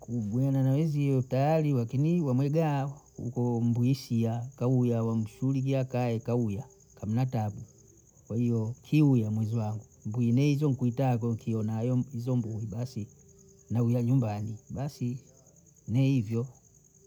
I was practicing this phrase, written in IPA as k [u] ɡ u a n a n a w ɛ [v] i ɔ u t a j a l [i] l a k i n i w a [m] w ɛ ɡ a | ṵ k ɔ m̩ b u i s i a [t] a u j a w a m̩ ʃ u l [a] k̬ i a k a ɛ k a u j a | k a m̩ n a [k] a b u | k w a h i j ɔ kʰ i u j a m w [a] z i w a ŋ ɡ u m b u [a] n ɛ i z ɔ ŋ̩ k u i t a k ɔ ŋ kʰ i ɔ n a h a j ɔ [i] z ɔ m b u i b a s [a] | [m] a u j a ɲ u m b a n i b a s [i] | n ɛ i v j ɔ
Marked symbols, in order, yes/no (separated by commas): yes, no, yes, yes, no, no, no, no, no, yes, no, no, yes